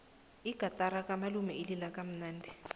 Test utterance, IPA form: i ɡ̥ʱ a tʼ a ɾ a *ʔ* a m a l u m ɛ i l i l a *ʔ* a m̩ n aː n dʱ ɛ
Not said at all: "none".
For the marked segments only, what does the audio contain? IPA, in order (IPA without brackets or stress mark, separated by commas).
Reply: k, k